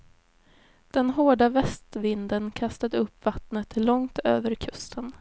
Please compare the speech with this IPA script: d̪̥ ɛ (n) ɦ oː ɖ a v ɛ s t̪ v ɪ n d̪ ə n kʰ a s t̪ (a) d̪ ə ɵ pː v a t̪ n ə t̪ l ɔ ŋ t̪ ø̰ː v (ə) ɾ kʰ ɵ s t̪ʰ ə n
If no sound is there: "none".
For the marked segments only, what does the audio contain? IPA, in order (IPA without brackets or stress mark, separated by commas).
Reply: n, a, ə